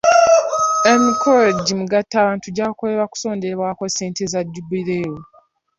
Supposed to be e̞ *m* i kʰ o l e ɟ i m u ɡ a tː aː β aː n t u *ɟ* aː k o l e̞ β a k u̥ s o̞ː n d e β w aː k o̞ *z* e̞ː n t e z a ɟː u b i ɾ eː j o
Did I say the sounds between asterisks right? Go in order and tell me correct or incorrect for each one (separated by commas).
correct, correct, incorrect